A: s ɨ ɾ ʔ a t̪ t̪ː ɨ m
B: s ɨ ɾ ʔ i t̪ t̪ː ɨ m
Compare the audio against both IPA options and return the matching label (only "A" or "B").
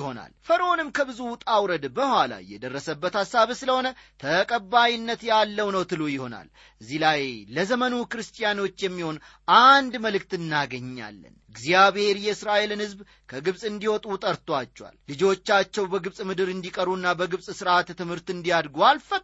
A